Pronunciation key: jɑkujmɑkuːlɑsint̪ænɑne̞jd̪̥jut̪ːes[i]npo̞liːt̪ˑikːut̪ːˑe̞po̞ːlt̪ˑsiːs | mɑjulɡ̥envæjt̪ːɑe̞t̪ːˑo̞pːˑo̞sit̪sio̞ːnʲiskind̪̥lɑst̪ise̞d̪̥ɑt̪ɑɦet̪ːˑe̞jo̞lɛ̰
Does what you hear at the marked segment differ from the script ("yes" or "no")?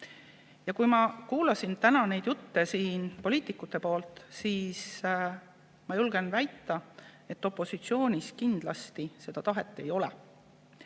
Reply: yes